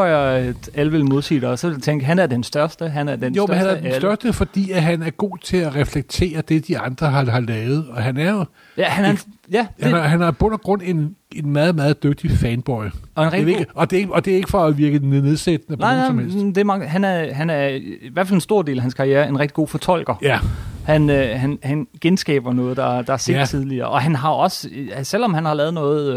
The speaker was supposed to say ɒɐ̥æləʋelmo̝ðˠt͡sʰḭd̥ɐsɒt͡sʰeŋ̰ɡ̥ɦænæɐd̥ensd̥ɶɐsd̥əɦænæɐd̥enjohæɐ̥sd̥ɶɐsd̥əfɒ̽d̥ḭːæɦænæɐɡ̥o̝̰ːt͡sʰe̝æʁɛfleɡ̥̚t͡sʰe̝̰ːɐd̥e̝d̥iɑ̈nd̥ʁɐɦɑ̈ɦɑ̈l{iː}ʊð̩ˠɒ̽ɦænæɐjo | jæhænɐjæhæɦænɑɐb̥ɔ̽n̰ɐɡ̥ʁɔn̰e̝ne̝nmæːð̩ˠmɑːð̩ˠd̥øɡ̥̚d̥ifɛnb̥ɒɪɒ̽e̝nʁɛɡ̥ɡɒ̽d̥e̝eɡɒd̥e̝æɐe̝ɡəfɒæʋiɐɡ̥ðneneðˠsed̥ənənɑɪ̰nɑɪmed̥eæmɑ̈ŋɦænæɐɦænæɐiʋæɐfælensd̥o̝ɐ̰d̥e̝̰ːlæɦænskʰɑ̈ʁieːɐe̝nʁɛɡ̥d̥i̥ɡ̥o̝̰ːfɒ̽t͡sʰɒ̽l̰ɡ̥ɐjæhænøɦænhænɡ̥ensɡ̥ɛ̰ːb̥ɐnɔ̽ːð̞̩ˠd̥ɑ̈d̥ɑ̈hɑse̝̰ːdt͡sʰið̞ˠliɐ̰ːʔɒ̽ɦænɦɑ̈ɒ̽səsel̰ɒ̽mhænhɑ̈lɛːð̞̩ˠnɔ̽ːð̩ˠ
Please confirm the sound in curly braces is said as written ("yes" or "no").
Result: no